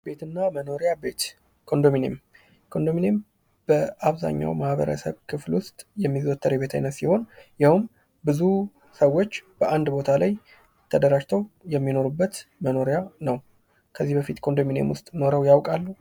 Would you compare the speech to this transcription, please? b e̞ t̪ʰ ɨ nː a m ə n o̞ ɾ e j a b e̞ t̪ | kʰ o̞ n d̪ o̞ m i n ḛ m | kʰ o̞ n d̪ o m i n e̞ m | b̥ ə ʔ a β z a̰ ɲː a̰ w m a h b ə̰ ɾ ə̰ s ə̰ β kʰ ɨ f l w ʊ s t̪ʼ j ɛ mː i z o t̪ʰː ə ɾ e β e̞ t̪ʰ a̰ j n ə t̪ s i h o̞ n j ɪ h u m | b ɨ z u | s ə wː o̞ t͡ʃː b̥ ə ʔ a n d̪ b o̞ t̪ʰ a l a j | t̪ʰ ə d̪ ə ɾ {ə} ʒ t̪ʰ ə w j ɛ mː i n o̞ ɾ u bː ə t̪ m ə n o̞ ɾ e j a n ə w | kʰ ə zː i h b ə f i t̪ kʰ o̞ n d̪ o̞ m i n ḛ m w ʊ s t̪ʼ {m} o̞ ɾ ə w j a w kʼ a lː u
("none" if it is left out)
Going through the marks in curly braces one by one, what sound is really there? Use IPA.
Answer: a, n

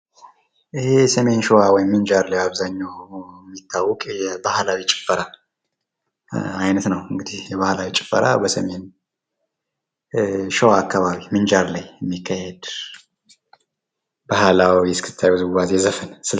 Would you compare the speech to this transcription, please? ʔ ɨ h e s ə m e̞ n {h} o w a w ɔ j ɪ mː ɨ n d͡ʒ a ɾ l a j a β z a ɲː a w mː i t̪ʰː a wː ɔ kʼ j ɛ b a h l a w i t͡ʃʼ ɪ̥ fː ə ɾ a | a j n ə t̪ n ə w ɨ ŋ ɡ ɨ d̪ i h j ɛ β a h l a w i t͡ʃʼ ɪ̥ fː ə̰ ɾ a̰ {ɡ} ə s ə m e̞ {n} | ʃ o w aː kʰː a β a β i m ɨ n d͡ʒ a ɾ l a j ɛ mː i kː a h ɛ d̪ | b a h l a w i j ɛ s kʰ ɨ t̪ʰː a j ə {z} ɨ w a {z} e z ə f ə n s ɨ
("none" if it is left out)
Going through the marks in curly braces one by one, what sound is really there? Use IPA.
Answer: ʃ, b, n, z, z

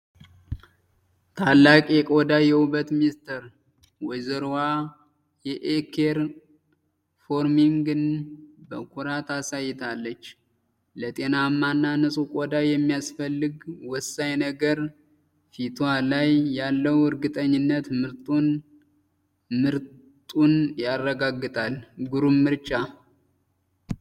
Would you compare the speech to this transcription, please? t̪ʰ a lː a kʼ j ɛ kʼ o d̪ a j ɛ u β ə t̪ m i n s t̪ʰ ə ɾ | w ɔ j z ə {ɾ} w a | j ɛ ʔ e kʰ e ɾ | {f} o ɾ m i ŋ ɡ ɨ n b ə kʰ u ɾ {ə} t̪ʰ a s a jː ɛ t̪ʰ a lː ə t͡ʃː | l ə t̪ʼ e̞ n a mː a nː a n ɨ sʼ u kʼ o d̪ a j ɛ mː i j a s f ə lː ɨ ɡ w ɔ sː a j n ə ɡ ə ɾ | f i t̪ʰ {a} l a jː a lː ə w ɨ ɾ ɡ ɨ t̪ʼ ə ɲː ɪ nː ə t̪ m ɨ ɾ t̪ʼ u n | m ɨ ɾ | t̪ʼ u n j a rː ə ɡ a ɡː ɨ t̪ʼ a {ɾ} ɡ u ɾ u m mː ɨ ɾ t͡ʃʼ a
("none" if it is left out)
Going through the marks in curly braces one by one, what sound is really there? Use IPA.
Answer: ɾ, f, a, a, l

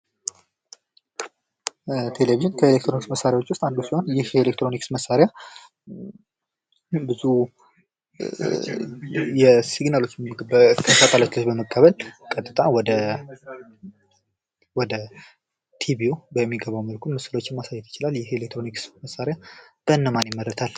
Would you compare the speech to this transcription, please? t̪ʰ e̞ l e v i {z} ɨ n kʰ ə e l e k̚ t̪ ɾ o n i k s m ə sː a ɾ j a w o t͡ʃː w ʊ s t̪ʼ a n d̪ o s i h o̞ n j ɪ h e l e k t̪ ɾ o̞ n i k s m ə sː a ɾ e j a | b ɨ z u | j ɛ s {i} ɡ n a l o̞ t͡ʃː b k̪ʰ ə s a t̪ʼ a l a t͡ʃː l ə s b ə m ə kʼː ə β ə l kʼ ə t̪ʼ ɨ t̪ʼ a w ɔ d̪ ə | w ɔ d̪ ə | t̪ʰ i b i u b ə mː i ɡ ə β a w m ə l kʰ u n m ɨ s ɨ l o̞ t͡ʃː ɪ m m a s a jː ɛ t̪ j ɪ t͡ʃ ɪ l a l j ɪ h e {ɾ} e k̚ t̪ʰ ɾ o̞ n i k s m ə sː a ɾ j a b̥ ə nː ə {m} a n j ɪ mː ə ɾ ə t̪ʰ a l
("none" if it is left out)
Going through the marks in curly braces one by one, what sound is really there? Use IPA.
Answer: ʒ, i, l, m

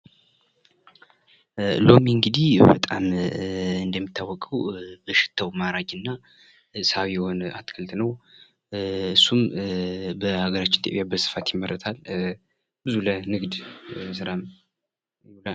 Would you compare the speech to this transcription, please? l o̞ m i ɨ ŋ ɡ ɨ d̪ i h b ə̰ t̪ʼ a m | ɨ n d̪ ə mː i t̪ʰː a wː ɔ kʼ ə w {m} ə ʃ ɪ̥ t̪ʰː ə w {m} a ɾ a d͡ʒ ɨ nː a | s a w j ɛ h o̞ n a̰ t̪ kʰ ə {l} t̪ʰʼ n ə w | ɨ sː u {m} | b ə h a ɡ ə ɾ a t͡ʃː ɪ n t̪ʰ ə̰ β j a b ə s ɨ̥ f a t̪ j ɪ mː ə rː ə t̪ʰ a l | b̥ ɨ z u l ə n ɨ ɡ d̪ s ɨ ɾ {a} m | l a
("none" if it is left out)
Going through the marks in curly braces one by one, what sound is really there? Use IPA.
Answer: b, m, l, m, a

